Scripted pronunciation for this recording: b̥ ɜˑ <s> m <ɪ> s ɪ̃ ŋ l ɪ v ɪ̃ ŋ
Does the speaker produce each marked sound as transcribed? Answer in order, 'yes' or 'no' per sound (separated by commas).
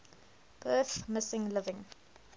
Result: no, yes